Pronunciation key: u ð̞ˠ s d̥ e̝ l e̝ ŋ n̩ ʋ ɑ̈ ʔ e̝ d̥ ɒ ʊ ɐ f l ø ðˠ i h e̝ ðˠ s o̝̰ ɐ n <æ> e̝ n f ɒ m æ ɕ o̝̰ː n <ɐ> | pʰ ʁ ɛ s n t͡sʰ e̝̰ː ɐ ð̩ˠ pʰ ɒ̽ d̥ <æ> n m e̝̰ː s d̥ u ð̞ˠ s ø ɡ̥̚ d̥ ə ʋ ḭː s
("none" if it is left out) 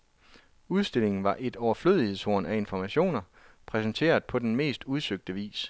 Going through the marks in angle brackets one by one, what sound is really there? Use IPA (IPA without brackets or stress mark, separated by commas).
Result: æ, ɐ, e